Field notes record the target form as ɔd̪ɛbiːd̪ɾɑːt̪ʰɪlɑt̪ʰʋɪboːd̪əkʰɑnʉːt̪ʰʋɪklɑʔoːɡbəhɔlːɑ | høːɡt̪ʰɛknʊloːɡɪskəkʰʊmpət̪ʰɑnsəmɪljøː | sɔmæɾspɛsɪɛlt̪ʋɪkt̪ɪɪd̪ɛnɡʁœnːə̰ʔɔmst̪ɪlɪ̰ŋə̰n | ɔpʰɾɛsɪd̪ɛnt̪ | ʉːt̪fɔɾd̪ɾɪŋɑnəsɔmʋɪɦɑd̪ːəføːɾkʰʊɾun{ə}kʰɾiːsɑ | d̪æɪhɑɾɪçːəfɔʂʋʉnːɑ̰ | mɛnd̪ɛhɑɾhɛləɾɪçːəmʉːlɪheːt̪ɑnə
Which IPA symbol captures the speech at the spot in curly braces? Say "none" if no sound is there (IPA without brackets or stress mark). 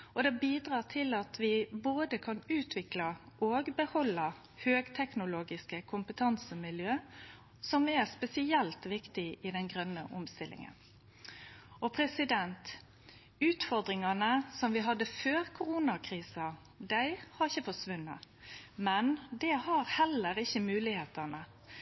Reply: ɑ